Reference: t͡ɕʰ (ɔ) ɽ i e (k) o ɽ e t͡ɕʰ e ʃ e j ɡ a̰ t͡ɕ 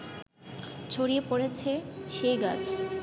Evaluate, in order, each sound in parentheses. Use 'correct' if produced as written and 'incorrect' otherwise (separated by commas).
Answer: incorrect, incorrect